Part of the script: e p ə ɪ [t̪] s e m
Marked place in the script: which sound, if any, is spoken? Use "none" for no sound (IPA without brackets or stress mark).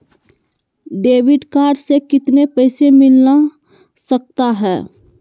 none